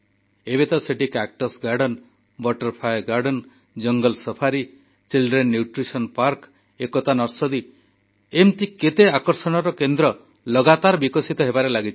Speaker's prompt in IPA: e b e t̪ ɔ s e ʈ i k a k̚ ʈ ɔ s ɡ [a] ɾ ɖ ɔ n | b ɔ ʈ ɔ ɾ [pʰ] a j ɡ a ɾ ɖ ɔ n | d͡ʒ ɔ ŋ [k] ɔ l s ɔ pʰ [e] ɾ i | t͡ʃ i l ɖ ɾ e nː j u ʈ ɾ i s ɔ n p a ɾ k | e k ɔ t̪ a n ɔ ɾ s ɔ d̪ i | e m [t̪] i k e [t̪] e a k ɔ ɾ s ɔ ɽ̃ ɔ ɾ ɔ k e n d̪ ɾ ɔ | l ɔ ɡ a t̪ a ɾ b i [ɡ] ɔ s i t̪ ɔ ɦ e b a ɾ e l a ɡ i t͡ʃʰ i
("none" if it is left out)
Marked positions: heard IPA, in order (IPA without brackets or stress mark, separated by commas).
a, pʰ, ɡ, a, t̪, t̪, k